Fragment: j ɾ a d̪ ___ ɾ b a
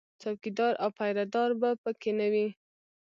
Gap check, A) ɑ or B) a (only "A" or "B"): A